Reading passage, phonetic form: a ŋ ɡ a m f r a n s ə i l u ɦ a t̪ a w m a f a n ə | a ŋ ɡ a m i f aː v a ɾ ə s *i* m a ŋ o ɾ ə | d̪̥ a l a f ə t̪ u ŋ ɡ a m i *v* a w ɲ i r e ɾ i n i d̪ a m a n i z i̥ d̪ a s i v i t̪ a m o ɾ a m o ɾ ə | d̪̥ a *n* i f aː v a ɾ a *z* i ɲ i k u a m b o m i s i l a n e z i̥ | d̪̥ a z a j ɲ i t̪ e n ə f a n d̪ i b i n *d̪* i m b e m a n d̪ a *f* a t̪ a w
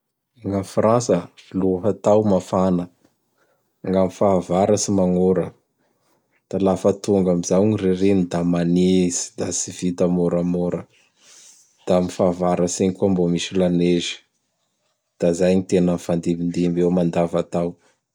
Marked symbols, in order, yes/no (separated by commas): yes, no, no, no, yes, no